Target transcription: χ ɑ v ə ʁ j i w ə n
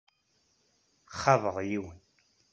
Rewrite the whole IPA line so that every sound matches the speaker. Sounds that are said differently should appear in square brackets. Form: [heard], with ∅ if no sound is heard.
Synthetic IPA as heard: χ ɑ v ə ʁ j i w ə n